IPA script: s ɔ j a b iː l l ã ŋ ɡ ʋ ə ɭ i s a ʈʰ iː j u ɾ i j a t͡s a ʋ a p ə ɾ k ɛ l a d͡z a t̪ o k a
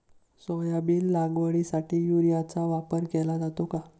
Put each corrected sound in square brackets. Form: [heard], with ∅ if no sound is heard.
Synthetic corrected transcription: s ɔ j a b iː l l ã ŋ ɡ ʋ ə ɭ i s a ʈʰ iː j u ɾ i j a t͡s a ʋ a p ə ɾ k ɛ l a d͡z a t̪ o k a